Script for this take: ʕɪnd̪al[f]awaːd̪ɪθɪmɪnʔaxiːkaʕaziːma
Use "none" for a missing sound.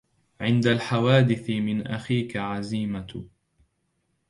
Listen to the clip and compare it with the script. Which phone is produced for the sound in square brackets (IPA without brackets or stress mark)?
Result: ħ